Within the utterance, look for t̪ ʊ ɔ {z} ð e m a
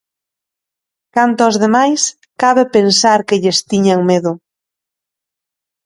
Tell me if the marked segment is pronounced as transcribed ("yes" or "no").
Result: yes